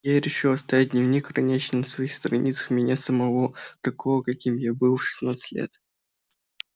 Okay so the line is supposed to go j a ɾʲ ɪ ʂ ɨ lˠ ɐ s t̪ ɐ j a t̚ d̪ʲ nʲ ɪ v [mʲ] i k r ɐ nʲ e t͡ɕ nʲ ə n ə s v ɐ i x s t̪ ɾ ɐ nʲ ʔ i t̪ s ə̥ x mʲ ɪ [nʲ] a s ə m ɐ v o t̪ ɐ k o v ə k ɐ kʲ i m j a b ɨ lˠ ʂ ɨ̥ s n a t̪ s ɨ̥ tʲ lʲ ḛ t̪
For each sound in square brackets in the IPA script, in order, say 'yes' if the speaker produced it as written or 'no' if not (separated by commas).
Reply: no, yes